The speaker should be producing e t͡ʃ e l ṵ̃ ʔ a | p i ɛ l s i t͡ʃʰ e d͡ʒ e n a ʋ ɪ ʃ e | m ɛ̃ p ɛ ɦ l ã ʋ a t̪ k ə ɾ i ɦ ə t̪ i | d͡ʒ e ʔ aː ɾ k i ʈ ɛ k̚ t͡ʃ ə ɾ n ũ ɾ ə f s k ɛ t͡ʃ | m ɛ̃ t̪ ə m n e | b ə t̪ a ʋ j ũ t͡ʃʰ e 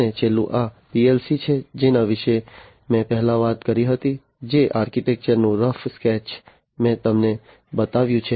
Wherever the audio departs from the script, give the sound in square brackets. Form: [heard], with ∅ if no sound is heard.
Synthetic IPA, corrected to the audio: e t͡ʃ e l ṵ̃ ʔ a | p i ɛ l s i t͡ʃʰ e d͡ʒ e n a ʋ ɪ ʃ e | m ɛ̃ p ɛ ɦ l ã ʋ a t̪ k ə ɾ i ɦ ə t̪ i | d͡ʒ e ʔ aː ɾ k i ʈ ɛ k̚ t͡ʃ ə ɾ n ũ ɾ ə f s k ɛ t͡ʃ | m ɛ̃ t̪ ə m n e | b ə t̪ a ʋ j ũ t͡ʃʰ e